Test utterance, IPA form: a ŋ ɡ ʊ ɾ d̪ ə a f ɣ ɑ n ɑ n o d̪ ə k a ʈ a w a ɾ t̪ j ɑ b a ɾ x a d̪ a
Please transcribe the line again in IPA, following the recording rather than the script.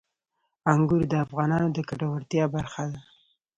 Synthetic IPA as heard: a ŋ ɡ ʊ ɾ d̪ ə a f ɣ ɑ n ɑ n o d̪ ə k a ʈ a w a ɾ t̪ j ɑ b a ɾ x a d̪ a